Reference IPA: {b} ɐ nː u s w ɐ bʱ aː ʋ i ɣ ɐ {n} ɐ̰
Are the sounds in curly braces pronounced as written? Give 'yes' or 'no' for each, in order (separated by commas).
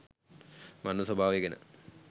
no, yes